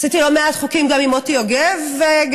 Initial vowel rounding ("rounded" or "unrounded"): unrounded